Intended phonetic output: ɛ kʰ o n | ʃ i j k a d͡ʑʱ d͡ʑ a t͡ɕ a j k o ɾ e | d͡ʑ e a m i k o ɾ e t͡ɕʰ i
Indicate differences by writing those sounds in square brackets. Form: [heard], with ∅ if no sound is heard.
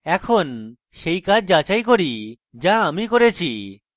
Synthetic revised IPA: ɛ kʰ o n | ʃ [e] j k a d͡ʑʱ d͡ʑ a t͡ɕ a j k o ɾ [i] | d͡ʑ [a] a m i k o ɾ e t͡ɕʰ i

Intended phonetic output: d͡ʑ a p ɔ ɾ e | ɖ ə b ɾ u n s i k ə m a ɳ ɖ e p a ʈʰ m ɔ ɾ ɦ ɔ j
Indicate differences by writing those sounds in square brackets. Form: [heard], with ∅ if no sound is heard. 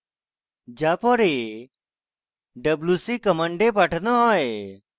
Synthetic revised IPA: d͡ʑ a p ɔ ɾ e | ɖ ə b [l] u [∅] s i k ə m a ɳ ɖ e p a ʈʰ [n] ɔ [∅] ɦ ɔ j

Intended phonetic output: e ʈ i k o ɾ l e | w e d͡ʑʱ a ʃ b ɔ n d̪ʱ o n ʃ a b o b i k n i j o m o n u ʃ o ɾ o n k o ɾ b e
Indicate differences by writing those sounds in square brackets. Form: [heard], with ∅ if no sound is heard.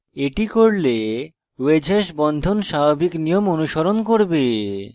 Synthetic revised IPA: e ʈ i k o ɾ l e | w e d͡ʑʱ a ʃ b ɔ n d̪ʱ o n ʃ a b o b i k n i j o m o n u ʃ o ɾ o n k o ɾ b e

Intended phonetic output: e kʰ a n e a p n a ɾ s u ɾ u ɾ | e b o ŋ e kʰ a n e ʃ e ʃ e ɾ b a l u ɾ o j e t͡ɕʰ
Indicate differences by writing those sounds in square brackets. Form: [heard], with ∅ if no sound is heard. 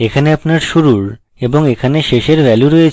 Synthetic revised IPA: e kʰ a n e a p n a ɾ [ʃ] u ɾ u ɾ | e b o ŋ e kʰ a n e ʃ e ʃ e ɾ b [ɛ] l u ɾ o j e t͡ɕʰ

